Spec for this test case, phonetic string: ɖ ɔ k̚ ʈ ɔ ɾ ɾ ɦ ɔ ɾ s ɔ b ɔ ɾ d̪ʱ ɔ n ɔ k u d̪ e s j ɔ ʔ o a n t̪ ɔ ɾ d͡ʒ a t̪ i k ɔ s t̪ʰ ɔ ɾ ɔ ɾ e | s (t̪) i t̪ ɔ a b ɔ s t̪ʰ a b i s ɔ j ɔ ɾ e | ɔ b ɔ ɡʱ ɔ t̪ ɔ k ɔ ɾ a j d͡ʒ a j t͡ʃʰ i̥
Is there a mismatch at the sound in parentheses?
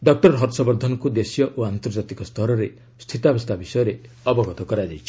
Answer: yes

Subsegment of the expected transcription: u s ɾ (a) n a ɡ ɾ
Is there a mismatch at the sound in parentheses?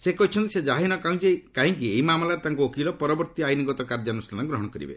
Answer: no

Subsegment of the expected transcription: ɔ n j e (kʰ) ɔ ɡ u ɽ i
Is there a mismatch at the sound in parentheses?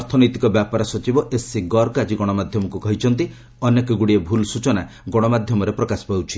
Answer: yes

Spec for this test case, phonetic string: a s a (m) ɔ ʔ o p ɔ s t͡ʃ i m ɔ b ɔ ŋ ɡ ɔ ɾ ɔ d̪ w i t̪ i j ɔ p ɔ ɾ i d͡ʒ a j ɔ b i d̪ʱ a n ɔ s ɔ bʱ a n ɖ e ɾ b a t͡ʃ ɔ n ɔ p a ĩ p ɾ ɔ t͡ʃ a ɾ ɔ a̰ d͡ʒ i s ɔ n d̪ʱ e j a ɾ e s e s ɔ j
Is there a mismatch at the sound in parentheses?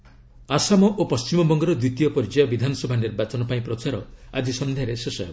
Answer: no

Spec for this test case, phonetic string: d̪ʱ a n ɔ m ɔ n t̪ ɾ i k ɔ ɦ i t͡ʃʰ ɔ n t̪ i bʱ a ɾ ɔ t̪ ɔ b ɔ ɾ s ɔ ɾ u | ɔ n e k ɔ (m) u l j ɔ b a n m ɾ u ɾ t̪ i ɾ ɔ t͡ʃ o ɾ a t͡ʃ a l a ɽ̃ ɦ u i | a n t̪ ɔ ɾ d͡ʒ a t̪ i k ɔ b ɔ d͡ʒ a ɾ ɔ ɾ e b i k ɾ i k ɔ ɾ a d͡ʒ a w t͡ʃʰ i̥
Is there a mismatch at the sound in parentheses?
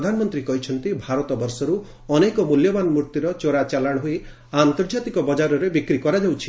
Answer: no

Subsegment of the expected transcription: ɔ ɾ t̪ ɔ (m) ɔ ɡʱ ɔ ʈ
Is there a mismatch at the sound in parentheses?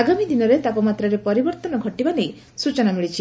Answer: yes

